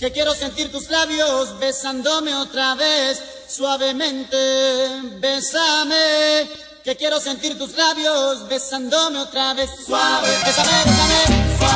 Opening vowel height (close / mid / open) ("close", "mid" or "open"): mid